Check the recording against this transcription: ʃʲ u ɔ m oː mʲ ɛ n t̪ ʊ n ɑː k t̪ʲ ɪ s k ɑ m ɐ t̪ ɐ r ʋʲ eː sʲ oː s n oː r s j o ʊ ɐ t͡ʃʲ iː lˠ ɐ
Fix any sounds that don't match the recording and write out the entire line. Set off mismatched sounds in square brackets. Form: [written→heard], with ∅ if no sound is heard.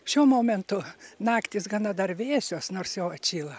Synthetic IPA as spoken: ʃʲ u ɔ m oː mʲ ɛ n t̪ ʊ n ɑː k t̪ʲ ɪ s [k→ɡ] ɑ [m→n] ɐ [t̪→d̪] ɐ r ʋʲ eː sʲ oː s n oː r s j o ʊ ɐ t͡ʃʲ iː lˠ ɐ